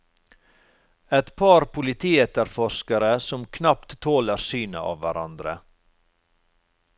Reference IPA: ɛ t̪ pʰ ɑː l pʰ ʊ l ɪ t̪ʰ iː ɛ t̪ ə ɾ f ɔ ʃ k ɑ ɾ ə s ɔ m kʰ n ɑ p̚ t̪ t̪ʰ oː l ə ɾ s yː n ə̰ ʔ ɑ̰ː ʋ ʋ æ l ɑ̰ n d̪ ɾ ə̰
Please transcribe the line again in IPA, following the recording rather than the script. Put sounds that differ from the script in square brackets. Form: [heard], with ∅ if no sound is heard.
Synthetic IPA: ɛ t̪ pʰ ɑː [ɾ] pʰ ʊ l ɪ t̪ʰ iː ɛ t̪ ə ɾ f ɔ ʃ k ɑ ɾ ə s ɔ m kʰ n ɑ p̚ t̪ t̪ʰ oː l ə ɾ s yː n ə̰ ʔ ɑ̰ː ʋ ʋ æ [ɾ] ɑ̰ n d̪ ɾ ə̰